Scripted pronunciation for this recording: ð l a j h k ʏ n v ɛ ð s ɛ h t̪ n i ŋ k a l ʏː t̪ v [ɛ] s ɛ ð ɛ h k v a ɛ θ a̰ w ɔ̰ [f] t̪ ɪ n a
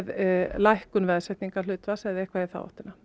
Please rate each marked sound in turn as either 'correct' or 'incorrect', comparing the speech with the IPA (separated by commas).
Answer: incorrect, incorrect